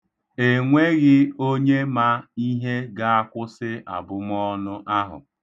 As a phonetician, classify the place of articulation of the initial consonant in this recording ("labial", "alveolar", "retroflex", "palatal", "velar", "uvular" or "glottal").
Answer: velar